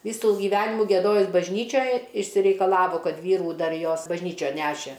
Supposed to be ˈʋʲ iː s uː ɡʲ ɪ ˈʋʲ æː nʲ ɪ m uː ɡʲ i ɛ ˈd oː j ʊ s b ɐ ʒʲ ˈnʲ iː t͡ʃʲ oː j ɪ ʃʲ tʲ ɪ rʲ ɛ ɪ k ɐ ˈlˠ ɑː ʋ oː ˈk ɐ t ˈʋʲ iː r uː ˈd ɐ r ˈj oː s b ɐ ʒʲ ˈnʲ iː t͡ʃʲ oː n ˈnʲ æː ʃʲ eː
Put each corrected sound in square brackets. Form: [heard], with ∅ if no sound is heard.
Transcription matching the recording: ˈʋʲ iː s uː ɡʲ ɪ ˈʋʲ æː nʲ ɪ m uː ɡʲ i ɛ ˈd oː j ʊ s b ɐ ʒʲ ˈnʲ iː t͡ʃʲ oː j ɪ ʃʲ [sʲ] ɪ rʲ ɛ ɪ k ɐ ˈlˠ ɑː ʋ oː ˈk ɐ t ˈʋʲ iː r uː ˈd ɐ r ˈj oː s b ɐ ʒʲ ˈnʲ iː t͡ʃʲ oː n ˈnʲ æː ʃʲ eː